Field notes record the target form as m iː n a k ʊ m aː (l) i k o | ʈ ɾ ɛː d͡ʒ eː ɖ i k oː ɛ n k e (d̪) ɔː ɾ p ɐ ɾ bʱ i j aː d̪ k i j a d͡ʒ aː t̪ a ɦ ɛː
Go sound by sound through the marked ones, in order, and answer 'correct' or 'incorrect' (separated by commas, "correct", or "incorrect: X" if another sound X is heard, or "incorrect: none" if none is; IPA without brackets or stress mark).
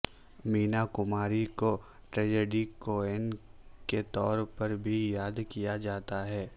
incorrect: ɾ, incorrect: t̪